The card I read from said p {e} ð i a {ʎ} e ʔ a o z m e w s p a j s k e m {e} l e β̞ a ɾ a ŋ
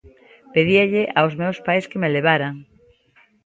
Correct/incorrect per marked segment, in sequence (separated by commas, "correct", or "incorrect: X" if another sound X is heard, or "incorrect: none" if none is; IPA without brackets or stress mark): correct, correct, correct